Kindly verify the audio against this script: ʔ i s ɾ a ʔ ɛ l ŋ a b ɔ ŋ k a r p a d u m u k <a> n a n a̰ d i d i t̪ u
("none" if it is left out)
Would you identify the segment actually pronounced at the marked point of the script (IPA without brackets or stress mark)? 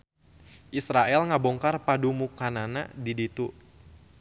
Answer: a